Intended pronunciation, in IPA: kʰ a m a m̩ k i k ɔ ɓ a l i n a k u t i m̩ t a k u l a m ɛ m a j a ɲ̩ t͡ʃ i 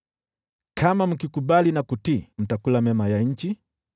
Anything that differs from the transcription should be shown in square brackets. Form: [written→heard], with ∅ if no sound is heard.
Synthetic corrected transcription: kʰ a m a m̩ k i k [ɔ→u] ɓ a l i n a k u t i m̩ t a k u l a m ɛ m a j a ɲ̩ t͡ʃ i